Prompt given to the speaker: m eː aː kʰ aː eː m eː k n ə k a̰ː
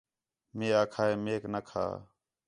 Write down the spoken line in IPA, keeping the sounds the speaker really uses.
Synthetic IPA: m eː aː kʰ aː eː m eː k n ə kʰ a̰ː